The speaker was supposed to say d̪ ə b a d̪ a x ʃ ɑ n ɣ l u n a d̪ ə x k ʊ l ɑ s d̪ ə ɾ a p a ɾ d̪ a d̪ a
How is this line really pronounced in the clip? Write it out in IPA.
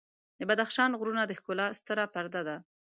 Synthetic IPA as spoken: d̪ ə b a d̪ a x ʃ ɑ n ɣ ɾ u n a d̪ ə x k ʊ l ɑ s t̪ ə ɾ a p a ɾ d̪ a d̪ a